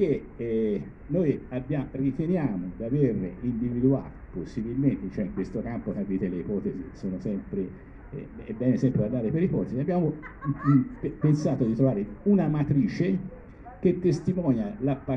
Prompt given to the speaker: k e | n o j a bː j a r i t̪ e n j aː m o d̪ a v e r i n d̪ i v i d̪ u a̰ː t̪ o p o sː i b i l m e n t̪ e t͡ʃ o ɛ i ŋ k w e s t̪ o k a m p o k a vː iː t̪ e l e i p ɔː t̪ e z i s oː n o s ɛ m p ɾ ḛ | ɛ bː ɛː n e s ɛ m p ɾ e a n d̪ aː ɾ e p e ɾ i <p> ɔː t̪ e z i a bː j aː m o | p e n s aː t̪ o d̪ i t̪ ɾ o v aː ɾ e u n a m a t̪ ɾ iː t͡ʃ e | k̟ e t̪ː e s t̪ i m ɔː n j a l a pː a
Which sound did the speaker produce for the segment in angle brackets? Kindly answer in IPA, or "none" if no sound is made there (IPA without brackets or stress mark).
p